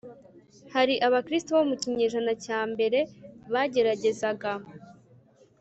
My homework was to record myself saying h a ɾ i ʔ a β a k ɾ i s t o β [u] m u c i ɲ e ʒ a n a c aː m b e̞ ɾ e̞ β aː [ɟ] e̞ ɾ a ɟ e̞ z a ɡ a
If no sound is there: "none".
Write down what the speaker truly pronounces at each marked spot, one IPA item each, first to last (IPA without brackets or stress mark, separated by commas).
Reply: o, ɟ